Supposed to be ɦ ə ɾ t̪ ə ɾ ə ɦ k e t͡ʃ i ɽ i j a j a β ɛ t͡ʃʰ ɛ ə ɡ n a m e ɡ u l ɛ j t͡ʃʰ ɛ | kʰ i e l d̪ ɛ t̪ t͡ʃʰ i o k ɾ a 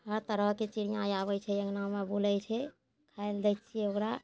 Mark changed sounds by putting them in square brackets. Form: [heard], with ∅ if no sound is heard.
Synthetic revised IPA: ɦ ə ɾ t̪ ə ɾ ə ɦ k e t͡ʃ i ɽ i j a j a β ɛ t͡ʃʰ ɛ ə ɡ n a m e [b] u l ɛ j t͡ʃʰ ɛ | kʰ [a] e l d̪ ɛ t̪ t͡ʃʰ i o k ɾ a